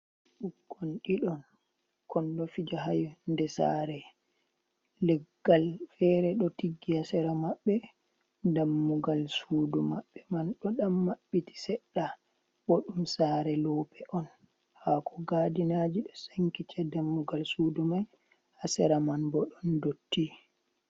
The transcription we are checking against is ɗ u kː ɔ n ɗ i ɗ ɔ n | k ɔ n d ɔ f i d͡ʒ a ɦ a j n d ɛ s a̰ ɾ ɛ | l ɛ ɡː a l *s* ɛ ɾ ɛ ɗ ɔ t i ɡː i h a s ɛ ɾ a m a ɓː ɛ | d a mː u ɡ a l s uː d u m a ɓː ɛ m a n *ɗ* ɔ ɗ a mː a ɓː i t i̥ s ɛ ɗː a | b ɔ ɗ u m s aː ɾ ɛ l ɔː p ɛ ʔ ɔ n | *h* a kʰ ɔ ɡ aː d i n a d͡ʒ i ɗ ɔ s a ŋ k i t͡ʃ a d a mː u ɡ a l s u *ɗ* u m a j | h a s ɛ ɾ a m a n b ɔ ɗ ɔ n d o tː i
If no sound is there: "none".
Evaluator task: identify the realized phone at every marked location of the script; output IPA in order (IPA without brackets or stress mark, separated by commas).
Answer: f, ɗ, h, d